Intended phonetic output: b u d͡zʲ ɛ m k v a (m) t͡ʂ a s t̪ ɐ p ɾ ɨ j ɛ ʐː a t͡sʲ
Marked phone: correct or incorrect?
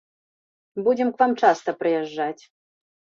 correct